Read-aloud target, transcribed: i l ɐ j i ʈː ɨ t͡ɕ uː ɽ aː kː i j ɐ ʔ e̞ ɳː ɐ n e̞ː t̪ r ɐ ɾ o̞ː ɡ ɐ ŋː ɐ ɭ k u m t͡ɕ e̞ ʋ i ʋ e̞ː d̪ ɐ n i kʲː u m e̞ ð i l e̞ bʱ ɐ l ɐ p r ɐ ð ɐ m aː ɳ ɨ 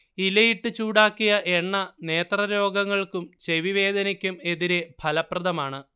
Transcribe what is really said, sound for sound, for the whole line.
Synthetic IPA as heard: i l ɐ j i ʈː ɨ t͡ɕ uː ɽ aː kː i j ɐ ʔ e̞ ɳː ɐ n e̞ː t̪ r ɐ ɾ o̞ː ɡ ɐ ŋː ɐ ɭ k u m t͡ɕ e̞ ʋ i ʋ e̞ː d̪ ɐ n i kʲː u m e̞ ð i ɾ e̞ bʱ ɐ l ɐ p r ɐ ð ɐ m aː ɳ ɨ